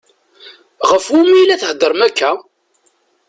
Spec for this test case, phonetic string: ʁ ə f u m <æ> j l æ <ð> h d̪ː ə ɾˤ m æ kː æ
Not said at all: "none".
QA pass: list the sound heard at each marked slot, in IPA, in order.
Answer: i, θ

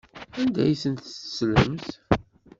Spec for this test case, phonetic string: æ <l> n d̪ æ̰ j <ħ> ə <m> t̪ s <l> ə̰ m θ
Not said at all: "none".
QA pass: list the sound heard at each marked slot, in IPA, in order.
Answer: none, s, n, l

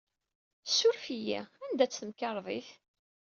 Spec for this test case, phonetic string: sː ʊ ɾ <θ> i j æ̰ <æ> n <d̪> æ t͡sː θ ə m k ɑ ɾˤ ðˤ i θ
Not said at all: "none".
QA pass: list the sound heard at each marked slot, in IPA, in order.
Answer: f, æ, d̪

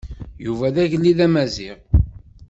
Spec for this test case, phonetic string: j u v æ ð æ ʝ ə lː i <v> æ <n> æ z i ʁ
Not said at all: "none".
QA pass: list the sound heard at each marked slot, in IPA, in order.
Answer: ð, m

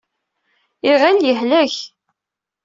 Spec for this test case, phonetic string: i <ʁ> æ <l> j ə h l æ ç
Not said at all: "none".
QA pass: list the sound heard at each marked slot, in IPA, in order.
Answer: ʁ, l

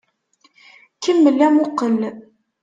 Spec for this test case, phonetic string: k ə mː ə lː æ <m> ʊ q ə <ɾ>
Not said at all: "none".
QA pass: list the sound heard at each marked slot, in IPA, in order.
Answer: m, l

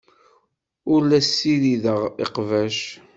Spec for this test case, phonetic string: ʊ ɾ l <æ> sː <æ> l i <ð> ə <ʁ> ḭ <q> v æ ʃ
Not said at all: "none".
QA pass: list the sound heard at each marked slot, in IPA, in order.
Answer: æ, i, ð, ʁ, q

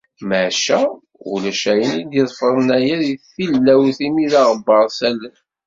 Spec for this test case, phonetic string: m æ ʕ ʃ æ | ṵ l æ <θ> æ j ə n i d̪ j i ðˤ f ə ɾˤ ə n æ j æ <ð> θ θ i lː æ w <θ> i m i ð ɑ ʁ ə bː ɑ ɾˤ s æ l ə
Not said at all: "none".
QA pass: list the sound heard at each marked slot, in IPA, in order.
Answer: ʃ, ð, θ

